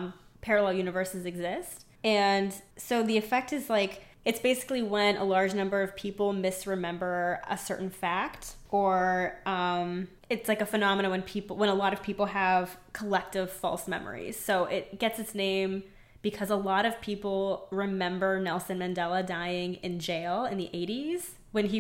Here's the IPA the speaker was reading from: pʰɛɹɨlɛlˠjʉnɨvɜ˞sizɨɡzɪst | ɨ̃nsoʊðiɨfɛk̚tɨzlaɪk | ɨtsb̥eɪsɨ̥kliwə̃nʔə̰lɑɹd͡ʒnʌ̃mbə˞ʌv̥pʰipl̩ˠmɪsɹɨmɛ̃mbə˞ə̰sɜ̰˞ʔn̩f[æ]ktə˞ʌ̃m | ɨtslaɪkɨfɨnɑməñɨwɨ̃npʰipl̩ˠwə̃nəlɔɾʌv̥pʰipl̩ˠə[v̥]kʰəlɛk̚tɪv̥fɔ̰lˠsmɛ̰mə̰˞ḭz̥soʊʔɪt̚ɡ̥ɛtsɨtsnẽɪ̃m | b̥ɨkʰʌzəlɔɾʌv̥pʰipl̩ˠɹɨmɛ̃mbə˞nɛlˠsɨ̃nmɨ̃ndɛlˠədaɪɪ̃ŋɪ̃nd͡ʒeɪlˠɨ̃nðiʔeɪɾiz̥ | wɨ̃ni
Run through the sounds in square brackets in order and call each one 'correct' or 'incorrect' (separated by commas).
correct, correct